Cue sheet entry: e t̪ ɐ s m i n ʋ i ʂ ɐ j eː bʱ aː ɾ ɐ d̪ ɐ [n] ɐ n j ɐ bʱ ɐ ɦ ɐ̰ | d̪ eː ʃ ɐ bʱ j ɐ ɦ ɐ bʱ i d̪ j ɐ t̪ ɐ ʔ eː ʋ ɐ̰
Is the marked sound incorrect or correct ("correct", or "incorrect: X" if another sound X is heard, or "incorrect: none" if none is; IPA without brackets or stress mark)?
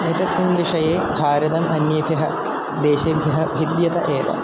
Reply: incorrect: m